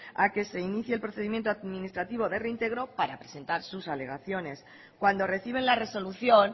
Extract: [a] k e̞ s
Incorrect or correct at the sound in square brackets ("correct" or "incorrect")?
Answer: correct